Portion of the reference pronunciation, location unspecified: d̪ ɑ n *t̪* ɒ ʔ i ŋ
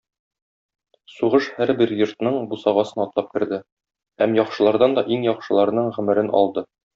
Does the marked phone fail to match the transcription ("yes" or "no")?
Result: yes